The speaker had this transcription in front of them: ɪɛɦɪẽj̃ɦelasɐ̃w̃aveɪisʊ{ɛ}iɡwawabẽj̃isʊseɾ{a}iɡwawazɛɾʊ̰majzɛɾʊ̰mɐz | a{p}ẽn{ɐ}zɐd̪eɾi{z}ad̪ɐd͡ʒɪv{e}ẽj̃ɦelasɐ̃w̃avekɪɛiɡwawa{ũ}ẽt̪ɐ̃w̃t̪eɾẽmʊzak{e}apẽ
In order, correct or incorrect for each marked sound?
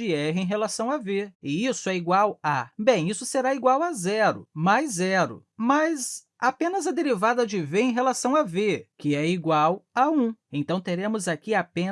correct, correct, correct, correct, incorrect: v, correct, correct, incorrect: i

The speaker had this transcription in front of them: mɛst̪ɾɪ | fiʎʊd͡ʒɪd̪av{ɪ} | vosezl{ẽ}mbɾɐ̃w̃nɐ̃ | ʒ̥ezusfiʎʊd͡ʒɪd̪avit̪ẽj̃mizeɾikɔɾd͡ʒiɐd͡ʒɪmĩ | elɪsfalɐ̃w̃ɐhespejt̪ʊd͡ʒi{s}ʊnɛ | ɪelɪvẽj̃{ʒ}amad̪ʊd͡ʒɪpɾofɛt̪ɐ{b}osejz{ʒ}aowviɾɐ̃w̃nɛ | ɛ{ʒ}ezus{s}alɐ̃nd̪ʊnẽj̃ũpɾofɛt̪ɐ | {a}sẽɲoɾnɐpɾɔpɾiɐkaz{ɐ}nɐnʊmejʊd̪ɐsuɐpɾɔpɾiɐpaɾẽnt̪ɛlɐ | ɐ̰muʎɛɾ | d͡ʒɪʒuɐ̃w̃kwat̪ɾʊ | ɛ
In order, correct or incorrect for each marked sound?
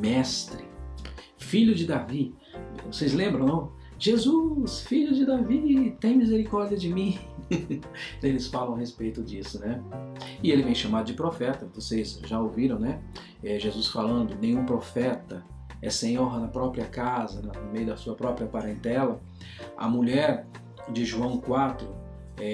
incorrect: i, correct, correct, incorrect: ʃ, incorrect: v, correct, correct, incorrect: f, incorrect: ɛ, correct

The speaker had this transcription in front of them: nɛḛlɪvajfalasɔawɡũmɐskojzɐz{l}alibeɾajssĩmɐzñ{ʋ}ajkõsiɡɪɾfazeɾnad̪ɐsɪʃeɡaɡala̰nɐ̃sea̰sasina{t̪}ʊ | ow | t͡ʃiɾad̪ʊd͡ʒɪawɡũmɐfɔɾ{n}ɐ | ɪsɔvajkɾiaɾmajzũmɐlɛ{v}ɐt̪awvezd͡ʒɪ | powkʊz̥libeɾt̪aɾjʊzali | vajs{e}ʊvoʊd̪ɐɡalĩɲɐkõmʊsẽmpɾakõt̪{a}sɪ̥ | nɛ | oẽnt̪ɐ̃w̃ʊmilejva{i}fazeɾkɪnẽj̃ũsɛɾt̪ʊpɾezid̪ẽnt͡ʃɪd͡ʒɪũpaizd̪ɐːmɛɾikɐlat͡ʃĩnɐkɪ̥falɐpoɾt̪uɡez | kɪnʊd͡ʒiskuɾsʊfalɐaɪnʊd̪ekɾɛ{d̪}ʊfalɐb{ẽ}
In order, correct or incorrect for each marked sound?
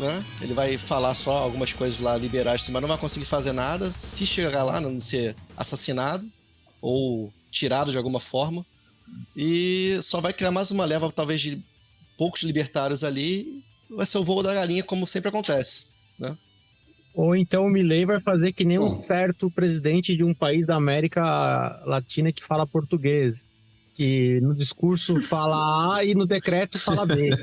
correct, incorrect: v, incorrect: d̪, incorrect: m, correct, correct, incorrect: ɛ, incorrect: j, incorrect: t̪, incorrect: e

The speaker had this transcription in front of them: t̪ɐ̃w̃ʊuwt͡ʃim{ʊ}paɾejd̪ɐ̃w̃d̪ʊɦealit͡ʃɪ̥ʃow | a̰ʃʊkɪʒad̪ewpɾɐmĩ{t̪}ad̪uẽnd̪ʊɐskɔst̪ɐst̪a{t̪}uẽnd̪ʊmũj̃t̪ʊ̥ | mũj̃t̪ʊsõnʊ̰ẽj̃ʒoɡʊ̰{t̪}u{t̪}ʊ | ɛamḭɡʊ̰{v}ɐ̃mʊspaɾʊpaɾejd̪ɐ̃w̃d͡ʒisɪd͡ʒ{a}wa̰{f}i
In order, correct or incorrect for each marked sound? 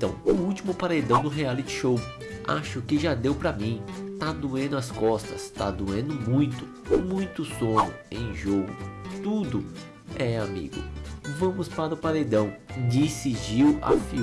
correct, correct, incorrect: d̪, correct, incorrect: d̪, correct, incorrect: i, correct

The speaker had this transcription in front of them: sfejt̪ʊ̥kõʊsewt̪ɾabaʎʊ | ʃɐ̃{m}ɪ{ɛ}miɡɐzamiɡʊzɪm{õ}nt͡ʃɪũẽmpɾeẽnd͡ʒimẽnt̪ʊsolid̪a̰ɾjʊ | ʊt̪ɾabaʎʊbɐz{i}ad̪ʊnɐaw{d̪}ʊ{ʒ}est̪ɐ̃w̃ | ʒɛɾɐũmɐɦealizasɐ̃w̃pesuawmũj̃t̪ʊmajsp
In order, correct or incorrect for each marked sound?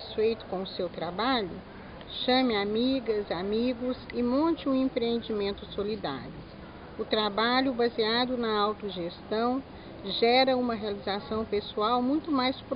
correct, incorrect: a, correct, correct, incorrect: t̪, correct

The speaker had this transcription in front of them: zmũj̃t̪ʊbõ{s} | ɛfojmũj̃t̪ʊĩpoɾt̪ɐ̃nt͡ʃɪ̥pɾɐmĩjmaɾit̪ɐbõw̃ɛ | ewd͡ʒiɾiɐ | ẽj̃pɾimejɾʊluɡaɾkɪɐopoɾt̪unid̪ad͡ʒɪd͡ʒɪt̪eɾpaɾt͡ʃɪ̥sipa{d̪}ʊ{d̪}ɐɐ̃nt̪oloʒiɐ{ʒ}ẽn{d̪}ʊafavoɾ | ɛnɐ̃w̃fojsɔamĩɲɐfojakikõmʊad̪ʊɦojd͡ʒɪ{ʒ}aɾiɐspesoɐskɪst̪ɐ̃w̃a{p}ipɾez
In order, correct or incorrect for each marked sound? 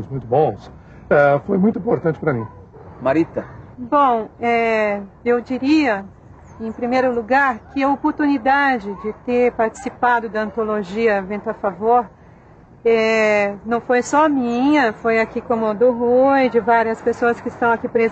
correct, correct, correct, incorrect: v, incorrect: t̪, incorrect: v, incorrect: k

